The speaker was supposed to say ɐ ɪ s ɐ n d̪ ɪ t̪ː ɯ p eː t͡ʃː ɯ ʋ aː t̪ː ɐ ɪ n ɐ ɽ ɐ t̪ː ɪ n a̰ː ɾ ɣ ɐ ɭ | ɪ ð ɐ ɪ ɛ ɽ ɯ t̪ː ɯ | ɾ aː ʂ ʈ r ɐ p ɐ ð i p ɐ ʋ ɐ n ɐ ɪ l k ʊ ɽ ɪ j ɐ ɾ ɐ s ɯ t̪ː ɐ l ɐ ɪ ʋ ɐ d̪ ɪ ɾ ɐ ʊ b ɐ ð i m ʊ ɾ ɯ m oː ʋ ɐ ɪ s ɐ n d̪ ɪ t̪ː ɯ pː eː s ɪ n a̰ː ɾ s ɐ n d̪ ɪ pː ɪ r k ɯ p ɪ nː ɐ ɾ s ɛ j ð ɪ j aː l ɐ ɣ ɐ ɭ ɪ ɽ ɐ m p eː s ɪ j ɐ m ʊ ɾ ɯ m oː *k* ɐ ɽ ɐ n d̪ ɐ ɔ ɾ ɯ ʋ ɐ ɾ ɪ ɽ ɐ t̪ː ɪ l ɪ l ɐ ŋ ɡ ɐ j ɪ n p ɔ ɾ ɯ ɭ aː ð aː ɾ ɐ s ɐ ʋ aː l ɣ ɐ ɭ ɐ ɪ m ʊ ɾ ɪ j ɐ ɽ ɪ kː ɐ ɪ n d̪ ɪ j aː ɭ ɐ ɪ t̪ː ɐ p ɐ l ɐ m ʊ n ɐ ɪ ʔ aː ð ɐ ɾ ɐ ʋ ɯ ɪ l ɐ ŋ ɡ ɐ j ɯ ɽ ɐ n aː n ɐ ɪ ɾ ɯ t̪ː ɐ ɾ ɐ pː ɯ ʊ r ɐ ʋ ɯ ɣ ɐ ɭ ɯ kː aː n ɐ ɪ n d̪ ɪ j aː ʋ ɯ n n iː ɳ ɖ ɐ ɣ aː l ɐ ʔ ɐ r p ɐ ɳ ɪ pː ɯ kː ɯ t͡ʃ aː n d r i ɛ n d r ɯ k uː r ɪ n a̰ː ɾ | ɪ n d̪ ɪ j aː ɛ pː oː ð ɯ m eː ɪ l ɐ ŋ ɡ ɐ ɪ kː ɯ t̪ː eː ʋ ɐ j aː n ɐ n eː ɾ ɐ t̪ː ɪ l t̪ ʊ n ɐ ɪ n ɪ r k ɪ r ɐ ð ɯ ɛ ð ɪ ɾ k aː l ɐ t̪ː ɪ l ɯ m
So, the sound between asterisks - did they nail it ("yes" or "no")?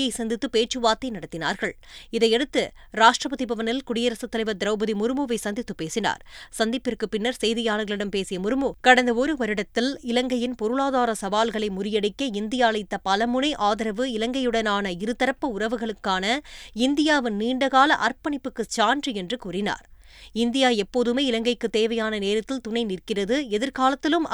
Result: yes